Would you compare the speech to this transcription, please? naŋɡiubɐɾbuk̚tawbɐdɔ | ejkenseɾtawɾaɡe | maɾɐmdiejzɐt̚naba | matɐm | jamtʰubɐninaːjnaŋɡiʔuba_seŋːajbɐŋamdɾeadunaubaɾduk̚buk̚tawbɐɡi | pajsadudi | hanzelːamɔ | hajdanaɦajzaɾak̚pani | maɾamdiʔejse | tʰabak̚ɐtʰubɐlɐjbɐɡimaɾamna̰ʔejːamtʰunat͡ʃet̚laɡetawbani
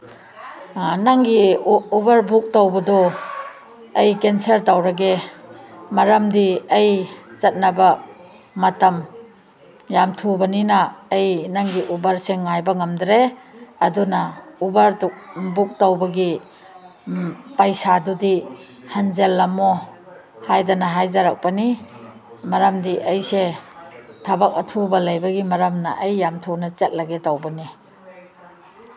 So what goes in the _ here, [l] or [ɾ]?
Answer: ɾ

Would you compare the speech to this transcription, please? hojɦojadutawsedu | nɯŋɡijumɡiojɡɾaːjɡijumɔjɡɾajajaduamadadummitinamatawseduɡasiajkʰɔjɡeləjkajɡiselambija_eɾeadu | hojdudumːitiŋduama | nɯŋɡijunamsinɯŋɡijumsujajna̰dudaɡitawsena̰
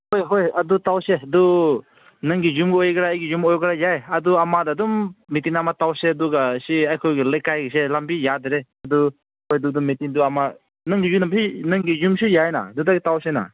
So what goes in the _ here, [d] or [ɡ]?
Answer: d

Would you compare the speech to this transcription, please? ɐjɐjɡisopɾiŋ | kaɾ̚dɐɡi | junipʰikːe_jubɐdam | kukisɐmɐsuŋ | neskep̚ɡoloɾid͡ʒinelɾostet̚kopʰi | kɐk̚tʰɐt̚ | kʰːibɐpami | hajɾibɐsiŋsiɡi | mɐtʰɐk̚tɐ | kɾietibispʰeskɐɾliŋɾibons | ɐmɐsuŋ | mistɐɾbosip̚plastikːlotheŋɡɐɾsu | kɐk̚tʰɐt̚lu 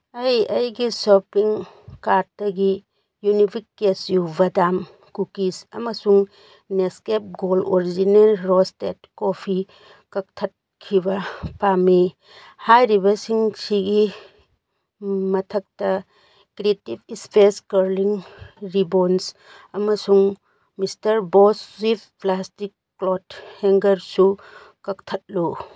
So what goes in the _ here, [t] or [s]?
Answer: s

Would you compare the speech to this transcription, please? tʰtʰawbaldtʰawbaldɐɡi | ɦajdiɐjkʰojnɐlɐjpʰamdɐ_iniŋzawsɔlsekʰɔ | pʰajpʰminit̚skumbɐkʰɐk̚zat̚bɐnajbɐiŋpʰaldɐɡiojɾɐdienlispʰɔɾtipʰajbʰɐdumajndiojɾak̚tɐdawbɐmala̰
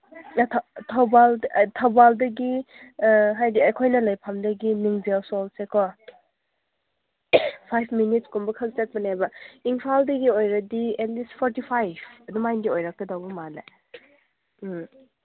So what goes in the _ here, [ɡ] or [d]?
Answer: ɡ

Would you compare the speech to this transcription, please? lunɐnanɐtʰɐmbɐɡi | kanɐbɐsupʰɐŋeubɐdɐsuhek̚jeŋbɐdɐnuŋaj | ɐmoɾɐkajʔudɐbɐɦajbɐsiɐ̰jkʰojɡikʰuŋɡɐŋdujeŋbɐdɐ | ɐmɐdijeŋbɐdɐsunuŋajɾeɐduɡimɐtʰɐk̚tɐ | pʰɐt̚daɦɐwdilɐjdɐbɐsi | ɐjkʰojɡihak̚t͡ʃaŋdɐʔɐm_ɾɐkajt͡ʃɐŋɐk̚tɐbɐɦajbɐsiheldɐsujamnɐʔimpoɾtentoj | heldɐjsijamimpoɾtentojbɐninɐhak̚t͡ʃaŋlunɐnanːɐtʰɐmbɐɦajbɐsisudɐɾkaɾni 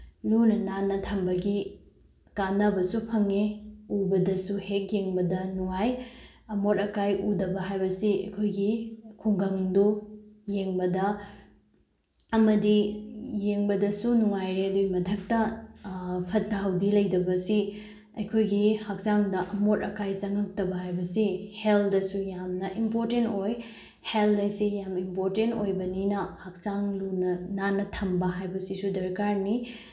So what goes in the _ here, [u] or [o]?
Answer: o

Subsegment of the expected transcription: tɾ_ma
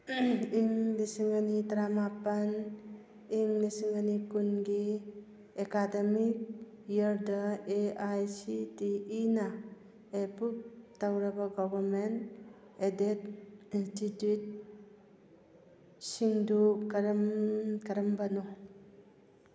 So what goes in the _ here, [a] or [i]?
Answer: a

